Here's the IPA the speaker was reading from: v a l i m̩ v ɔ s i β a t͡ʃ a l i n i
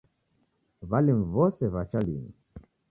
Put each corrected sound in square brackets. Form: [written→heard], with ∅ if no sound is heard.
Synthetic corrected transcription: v a l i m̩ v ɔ s [i→ɛ] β a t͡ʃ a l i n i